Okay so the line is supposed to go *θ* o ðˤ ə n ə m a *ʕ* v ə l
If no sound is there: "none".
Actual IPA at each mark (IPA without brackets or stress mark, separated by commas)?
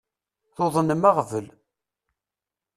θ, ʁ